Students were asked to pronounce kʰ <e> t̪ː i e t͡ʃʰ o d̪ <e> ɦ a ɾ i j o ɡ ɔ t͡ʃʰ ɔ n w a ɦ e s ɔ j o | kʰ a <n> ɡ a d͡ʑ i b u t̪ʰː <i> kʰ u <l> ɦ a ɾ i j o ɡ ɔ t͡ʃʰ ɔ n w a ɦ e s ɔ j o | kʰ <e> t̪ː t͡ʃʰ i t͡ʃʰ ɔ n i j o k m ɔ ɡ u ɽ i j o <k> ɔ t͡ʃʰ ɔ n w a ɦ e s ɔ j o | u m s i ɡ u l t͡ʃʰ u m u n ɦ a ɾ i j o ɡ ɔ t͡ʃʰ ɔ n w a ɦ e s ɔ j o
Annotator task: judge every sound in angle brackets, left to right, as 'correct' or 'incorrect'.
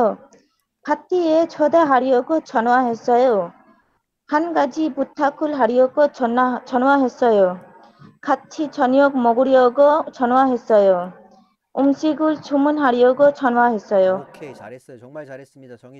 incorrect: a, incorrect: a, correct, incorrect: a, correct, incorrect: a, incorrect: ɡ

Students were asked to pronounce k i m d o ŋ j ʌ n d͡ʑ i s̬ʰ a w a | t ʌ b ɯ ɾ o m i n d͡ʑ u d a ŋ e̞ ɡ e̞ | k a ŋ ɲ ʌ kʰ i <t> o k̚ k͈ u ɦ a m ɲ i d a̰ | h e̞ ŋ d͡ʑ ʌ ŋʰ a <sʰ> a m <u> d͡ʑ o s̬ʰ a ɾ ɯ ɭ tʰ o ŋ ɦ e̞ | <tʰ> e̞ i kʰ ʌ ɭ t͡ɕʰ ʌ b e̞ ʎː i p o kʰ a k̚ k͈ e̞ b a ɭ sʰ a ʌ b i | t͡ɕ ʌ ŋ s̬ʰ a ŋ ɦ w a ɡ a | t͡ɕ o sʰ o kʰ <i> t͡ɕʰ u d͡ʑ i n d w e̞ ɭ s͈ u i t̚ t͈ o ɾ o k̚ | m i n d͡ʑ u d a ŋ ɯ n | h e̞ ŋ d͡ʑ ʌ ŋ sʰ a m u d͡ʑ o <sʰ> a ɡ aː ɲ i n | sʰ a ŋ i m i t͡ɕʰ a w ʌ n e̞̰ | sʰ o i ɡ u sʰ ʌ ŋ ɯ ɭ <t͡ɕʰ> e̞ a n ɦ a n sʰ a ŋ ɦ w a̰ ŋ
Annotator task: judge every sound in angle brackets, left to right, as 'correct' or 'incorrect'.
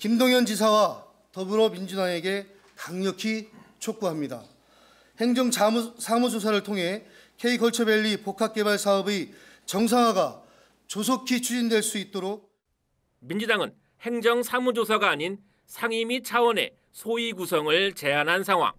incorrect: t͡ɕʰ, correct, correct, incorrect: kʰ, correct, correct, incorrect: t͡ɕ

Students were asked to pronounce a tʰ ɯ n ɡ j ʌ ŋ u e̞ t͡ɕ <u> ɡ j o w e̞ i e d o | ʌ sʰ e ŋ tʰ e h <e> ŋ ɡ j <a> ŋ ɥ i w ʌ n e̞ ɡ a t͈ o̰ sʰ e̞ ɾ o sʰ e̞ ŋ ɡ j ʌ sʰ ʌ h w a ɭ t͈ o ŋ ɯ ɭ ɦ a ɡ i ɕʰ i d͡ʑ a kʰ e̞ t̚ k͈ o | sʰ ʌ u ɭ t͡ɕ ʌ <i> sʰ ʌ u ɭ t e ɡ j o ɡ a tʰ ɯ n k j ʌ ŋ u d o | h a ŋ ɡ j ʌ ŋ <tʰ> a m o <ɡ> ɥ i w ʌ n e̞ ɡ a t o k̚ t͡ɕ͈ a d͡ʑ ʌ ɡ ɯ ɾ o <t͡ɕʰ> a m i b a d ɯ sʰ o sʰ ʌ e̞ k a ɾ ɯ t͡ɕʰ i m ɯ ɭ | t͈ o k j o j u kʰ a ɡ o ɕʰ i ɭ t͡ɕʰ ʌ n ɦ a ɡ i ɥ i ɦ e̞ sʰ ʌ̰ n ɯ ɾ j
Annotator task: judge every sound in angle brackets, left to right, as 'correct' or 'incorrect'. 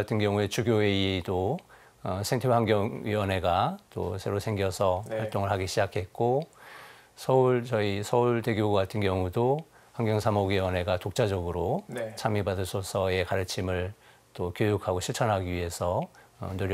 correct, incorrect: a, incorrect: ʌ, correct, incorrect: sʰ, correct, correct

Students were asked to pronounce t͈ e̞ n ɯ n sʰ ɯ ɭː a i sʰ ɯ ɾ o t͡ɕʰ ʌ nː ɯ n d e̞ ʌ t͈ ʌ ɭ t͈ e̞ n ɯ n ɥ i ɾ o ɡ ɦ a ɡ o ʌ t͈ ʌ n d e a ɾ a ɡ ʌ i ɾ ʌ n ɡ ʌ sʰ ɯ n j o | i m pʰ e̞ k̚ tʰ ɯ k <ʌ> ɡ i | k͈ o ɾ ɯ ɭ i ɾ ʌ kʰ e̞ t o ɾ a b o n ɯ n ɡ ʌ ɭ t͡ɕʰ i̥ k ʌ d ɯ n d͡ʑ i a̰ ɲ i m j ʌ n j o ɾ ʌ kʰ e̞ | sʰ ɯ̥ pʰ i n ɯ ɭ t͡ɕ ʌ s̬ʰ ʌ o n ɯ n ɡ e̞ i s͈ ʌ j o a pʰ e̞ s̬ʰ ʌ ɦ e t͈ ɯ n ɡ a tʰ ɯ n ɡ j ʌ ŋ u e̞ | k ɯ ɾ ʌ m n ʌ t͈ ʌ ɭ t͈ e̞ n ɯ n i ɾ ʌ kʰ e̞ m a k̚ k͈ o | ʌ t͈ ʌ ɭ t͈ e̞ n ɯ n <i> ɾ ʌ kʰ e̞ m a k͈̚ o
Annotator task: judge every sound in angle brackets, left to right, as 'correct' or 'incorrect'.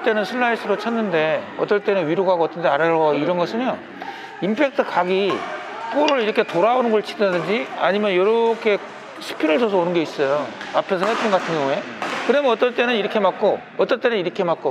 incorrect: a, correct

